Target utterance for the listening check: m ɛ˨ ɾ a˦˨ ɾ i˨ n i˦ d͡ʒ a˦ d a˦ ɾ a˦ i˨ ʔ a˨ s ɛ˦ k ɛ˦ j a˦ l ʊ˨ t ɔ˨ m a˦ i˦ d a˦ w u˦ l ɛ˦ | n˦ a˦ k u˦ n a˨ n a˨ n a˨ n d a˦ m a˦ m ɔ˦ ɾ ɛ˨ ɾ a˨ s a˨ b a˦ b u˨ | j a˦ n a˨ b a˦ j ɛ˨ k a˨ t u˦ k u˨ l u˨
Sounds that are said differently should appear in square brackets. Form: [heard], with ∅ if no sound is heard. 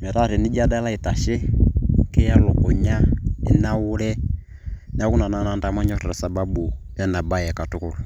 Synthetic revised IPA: m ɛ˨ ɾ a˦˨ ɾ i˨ n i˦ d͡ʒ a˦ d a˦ [l] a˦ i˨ [t] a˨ [ʃ] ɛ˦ k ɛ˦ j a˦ l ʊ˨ [k] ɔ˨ [ɲ] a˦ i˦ [n] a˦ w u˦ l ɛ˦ | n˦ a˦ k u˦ n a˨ n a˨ n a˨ n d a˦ m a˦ [ɲ] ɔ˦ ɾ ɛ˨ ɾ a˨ s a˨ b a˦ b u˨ | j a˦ n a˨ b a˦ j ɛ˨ k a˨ t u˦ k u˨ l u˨